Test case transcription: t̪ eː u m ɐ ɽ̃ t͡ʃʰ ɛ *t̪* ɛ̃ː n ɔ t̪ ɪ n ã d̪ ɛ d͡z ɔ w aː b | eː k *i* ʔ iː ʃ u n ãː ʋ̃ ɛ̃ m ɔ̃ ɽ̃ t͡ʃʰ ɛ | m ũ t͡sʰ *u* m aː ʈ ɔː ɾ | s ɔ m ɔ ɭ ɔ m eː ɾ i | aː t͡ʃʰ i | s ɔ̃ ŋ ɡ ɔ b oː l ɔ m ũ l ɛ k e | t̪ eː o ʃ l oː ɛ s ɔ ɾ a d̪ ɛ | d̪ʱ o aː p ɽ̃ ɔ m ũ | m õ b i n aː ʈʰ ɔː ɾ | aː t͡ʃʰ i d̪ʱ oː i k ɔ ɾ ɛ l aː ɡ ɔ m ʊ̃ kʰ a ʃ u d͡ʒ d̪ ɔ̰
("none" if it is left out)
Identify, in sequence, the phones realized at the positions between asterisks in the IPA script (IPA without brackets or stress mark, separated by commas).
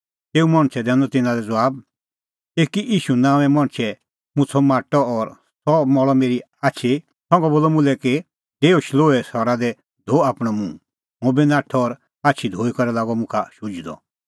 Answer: d̪, i, ɔ